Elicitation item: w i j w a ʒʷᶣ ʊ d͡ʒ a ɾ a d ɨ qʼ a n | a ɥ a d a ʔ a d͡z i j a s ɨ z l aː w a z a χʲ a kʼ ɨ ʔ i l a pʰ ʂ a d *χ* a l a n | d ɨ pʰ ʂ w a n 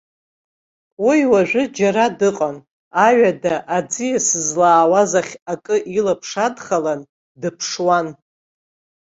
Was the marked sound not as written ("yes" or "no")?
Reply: no